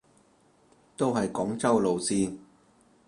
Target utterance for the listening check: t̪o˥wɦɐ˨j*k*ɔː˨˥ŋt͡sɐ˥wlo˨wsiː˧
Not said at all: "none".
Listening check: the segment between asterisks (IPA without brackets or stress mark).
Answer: k